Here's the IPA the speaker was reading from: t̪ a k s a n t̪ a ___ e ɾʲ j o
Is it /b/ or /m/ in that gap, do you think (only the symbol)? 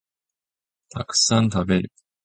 b